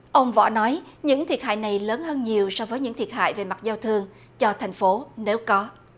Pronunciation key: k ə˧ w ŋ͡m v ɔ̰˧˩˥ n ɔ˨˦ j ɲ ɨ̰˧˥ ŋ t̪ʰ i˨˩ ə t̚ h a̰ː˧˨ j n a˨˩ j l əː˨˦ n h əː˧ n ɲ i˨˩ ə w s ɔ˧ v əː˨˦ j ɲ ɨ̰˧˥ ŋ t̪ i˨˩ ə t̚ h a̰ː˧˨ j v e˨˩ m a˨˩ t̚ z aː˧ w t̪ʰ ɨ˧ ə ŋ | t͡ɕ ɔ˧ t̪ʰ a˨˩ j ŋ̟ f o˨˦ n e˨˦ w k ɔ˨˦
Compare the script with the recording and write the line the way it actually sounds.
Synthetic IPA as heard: ʔ ə˧ w ŋ͡m v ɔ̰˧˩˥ n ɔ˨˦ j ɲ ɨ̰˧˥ ŋ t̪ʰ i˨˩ ə t̚ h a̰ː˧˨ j n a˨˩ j l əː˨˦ n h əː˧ n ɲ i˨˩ ə w s ɔ˧ v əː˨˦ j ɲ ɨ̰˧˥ ŋ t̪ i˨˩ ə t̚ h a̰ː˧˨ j v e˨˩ m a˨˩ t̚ z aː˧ w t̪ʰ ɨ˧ ə ŋ | t͡ɕ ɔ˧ t̪ʰ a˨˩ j ŋ̟ f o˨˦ n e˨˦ w k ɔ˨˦